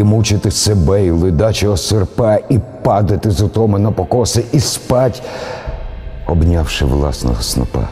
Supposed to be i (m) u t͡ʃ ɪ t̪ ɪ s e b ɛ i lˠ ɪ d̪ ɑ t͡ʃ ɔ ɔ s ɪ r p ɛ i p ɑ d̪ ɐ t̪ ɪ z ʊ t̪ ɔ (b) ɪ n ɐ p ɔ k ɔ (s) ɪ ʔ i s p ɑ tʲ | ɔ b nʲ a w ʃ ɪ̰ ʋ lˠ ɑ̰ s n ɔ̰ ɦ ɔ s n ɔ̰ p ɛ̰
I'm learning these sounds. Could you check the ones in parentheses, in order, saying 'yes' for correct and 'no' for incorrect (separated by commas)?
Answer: yes, no, yes